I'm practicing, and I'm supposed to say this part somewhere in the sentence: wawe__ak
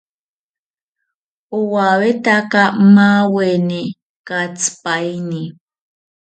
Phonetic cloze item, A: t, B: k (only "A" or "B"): A